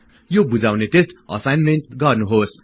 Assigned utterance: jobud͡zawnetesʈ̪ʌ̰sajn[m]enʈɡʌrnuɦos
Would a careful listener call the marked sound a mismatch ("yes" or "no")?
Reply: no